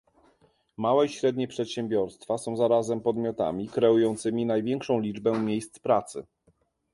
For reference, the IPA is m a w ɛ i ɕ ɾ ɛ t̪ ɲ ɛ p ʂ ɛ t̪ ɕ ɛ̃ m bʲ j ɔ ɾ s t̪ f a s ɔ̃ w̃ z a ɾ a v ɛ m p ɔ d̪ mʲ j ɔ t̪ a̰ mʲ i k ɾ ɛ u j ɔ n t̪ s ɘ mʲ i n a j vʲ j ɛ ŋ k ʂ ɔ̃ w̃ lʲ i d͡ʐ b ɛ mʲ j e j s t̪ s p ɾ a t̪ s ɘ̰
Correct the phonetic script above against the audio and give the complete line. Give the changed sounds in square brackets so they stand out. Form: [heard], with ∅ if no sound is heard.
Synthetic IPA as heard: m a w ɛ i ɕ ɾ ɛ [d̪] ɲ ɛ p ʂ ɛ t̪ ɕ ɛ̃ m bʲ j ɔ ɾ s t̪ f a s ɔ̃ w̃ z a ɾ a [z] ɛ m p ɔ d̪ mʲ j ɔ t̪ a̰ mʲ i k ɾ ɛ u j ɔ n t̪ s ɘ mʲ i n a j vʲ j ɛ ŋ k ʂ ɔ̃ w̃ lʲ i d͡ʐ b ɛ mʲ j e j s t̪ s p ɾ a t̪ s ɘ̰